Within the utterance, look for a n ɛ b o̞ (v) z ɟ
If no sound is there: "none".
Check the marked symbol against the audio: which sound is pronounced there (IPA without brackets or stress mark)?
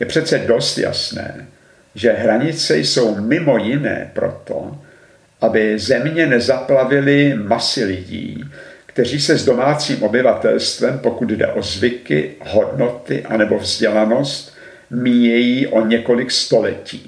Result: v